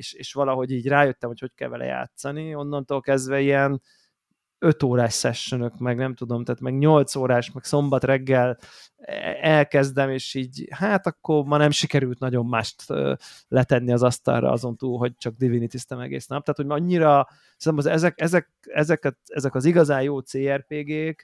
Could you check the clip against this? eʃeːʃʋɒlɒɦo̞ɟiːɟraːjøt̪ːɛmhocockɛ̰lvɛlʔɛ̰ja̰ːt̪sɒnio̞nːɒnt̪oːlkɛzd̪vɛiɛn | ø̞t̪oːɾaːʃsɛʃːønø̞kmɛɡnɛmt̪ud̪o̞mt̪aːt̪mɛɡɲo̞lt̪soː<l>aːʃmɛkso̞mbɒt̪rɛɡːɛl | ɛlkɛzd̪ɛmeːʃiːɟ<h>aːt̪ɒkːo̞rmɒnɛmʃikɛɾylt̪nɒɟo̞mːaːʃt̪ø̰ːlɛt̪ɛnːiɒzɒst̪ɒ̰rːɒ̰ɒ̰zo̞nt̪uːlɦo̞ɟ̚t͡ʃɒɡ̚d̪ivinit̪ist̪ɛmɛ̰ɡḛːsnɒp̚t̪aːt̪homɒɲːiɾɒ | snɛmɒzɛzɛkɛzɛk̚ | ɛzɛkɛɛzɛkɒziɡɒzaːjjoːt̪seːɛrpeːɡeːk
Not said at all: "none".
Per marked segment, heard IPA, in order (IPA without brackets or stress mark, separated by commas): ɾ, h